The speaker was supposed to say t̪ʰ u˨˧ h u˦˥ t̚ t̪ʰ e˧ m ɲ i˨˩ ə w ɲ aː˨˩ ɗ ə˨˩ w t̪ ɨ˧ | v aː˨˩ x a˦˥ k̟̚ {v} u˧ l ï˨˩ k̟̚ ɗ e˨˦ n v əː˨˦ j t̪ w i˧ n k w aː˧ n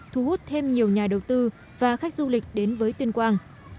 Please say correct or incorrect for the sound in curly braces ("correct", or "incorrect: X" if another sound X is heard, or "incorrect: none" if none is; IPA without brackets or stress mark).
incorrect: z